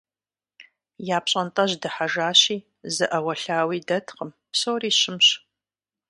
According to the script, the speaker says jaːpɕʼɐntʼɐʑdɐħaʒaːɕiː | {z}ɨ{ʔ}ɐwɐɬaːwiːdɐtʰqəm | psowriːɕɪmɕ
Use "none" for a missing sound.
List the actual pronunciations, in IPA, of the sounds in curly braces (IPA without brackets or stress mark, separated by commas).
z, ʔ